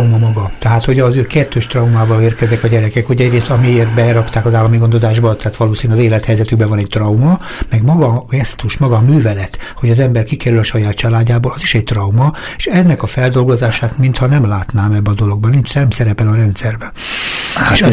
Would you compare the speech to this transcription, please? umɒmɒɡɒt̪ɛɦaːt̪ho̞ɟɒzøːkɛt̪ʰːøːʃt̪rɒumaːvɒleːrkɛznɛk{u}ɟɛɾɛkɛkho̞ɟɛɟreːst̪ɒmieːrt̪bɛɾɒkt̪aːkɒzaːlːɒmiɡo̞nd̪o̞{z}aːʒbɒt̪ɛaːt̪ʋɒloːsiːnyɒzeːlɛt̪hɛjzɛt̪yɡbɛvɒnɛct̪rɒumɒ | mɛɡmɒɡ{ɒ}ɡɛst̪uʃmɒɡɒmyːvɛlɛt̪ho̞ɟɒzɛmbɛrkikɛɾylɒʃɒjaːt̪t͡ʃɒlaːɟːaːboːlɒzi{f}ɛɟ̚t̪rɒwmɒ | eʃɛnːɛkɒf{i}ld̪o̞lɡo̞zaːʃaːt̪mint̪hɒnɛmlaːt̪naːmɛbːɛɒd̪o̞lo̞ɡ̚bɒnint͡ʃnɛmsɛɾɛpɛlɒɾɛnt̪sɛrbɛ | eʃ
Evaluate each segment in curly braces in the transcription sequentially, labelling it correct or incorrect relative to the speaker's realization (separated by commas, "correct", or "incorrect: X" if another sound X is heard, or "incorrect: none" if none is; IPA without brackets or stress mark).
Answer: incorrect: ɒ, correct, correct, incorrect: ʃ, incorrect: ɛ